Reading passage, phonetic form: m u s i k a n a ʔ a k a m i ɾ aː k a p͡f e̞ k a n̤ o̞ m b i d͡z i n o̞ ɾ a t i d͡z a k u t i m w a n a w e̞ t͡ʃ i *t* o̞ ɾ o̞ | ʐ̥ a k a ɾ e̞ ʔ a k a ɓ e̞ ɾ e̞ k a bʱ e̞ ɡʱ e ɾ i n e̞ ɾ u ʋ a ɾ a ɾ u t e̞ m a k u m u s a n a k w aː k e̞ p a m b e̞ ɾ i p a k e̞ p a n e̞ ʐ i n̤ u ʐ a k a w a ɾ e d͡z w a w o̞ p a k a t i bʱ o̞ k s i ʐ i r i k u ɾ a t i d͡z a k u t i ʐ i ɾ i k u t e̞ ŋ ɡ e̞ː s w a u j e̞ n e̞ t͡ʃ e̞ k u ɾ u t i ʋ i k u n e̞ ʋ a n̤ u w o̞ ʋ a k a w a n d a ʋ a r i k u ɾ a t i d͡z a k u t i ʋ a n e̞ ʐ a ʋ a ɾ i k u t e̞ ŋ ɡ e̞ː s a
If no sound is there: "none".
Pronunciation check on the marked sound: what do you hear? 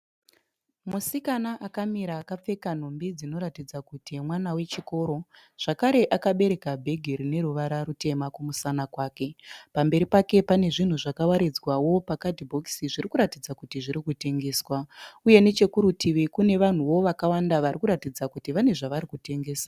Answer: k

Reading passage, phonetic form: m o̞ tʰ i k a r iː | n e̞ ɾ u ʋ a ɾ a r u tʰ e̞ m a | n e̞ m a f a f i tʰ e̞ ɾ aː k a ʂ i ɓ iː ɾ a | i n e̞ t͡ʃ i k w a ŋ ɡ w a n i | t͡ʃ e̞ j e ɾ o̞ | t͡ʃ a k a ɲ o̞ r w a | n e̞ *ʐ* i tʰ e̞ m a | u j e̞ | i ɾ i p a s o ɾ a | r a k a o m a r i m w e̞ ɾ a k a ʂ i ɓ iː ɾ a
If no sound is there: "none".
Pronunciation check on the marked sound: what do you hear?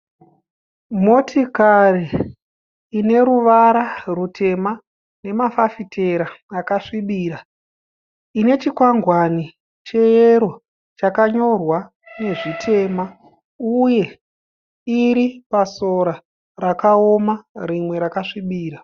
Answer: ʐ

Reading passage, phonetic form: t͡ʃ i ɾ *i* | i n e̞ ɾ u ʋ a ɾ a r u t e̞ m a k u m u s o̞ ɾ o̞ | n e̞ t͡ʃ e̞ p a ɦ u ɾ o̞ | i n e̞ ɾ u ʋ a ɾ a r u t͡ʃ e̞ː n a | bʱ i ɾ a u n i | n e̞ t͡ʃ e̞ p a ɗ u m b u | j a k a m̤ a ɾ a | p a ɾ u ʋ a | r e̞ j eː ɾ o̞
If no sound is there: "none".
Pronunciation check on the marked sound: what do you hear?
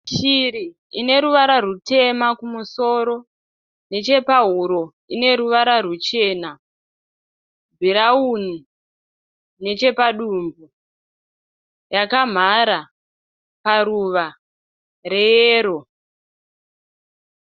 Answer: i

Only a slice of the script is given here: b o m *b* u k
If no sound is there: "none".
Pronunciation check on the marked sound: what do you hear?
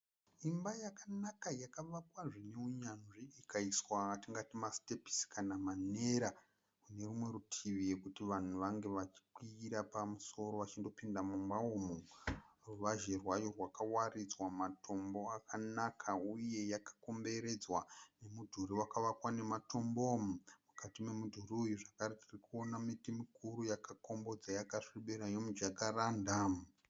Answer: m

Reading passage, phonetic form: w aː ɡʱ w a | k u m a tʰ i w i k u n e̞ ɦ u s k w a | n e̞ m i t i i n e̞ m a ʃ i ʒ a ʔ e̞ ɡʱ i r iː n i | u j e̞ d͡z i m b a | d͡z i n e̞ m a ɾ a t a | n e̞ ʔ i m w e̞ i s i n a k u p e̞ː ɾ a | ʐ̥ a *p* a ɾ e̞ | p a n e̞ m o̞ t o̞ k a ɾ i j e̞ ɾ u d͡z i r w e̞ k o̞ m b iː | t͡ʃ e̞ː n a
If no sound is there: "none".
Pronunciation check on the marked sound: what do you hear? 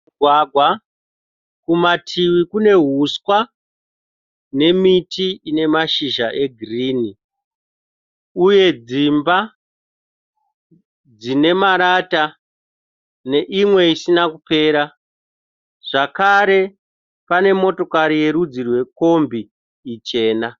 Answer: k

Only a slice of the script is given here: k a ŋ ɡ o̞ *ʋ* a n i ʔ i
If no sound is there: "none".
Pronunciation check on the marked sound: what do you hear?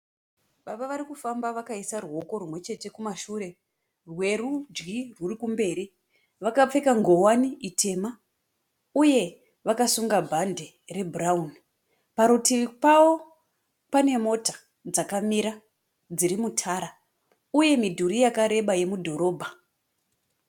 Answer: w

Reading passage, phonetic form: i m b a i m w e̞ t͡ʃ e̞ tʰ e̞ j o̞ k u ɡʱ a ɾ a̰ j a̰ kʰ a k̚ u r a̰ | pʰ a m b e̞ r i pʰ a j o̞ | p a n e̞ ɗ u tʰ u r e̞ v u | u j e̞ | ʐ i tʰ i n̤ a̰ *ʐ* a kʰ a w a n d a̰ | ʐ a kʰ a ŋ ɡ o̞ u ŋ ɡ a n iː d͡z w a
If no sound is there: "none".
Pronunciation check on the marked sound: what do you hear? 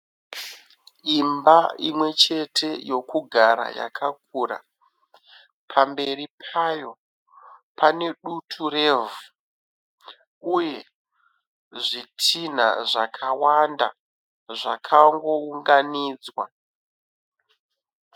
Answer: ʐ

